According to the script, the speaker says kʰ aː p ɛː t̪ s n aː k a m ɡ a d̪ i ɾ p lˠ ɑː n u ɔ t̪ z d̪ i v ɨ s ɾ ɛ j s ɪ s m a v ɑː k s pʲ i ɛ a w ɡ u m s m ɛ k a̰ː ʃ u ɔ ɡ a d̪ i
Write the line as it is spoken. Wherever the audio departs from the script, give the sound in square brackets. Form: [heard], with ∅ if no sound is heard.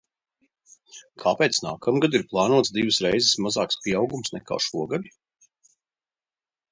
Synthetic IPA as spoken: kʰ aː p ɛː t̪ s n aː k a m ɡ a d̪ i ɾ p lˠ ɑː n u ɔ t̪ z d̪ i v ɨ s ɾ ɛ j [z] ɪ s m a [z] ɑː k s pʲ i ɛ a w ɡ u m s [n] ɛ k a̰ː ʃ u ɔ ɡ a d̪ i